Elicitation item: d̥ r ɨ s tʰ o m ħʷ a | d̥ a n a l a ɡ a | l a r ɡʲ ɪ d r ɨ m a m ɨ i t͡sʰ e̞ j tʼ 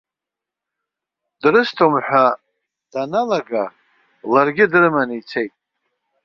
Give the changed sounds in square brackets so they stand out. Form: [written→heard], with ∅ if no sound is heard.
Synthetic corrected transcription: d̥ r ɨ s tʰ o m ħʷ a | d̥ a n a l a ɡ a | l a r ɡʲ ɪ d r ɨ m a [m→n] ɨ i t͡sʰ e̞ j tʼ